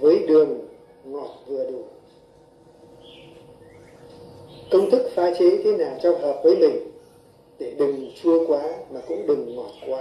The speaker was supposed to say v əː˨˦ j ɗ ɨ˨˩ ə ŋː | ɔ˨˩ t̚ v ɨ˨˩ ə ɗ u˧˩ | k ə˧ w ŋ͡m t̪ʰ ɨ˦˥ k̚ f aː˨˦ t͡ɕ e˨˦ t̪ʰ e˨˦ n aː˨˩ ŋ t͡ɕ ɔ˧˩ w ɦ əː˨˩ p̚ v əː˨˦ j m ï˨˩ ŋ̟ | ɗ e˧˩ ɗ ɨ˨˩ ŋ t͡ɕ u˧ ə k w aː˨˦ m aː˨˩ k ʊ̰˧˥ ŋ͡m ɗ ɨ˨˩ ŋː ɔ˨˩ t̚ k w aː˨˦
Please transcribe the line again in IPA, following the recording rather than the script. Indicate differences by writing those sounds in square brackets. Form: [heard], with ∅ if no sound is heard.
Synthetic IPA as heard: v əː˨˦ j ɗ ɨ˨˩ ə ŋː | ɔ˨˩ t̚ v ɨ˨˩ ə ɗ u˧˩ | k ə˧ w ŋ͡m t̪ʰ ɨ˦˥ k̚ f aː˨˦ t͡ɕ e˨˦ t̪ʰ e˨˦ n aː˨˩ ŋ t͡ɕ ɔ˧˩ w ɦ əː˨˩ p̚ v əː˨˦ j m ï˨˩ ŋ̟ | ɗ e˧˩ ɗ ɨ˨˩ ŋ t͡ɕ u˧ ə k w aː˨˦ m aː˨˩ k ʊ̰˧˥ ŋ͡m ɗ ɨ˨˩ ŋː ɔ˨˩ t̚ k w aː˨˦

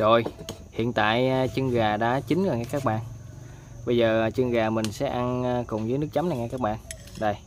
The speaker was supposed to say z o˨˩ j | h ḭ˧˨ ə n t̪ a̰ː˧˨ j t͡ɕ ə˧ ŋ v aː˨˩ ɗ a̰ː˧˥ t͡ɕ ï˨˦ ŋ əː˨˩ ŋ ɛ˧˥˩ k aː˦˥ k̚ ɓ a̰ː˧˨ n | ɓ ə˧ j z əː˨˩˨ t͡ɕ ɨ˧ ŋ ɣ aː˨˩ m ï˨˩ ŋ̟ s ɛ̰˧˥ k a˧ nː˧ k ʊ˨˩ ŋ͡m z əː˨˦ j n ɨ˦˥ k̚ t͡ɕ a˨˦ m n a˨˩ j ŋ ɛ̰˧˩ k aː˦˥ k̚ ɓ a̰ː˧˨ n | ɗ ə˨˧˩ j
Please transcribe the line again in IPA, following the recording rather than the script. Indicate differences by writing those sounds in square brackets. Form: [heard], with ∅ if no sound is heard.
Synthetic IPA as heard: z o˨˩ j | h ḭ˧˨ ə n t̪ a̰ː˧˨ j t͡ɕ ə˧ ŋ [ɣ] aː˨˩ ɗ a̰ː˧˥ t͡ɕ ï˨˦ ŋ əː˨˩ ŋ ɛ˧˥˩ k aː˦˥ k̚ ɓ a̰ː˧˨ n | ɓ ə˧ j z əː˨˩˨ t͡ɕ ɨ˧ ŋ ɣ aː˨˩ m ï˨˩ ŋ̟ s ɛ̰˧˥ [ʔ] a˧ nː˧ k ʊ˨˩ ŋ͡m z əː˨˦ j n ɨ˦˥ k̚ t͡ɕ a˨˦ m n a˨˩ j ŋ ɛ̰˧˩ k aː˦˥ k̚ ɓ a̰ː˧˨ n | ɗ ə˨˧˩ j

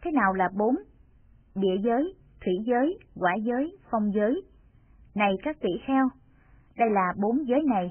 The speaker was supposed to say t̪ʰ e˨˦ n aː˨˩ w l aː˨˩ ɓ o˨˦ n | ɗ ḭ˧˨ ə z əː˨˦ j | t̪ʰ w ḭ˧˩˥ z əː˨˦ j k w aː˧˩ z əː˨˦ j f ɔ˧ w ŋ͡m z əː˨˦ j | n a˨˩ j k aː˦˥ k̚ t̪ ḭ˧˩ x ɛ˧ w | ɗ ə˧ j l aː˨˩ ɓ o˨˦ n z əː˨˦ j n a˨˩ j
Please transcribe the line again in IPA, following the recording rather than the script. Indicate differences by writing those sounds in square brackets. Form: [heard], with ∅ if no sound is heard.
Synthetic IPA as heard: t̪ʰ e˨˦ n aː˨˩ w l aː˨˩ ɓ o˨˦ n | ɗ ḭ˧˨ ə z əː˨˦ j | t̪ʰ w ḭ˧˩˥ z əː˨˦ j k w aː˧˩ z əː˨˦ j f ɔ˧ w ŋ͡m z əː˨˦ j | n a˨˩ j k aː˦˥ k̚ t̪ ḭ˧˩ x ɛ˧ w | ɗ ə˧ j l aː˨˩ ɓ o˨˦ n z əː˨˦ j n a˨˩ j

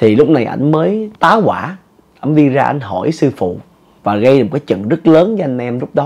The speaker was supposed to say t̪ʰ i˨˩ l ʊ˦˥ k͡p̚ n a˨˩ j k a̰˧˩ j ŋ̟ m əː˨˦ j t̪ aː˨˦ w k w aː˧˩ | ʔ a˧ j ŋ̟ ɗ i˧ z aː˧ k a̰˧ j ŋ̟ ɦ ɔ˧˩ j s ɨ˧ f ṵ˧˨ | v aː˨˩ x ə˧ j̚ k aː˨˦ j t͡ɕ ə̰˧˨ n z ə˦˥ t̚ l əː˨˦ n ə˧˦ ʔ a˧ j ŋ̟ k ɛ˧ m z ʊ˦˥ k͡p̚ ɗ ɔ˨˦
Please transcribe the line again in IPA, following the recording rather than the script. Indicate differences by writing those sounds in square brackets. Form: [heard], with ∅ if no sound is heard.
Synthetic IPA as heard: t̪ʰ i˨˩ l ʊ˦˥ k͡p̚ n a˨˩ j [ʔ] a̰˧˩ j ŋ̟ m əː˨˦ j t̪ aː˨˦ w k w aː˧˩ | ʔ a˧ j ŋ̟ ɗ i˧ z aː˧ [ʔ] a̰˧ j ŋ̟ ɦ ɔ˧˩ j s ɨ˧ f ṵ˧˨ | v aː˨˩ [ɣ] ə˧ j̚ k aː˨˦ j t͡ɕ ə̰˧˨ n z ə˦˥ t̚ l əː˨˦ n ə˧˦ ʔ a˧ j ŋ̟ [ʔ] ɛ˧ m z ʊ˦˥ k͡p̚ ɗ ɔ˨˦

